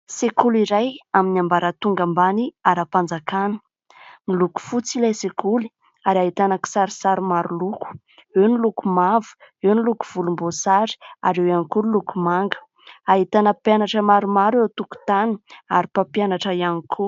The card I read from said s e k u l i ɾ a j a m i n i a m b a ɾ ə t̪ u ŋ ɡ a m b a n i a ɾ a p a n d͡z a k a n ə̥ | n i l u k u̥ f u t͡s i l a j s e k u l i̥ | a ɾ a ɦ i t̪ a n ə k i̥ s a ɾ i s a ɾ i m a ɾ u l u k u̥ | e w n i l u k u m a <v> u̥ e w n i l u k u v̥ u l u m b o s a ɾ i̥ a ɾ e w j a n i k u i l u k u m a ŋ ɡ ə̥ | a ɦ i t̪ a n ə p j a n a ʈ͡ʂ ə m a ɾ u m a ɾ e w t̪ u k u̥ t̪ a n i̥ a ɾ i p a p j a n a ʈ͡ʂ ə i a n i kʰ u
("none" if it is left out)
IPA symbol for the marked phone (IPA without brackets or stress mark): v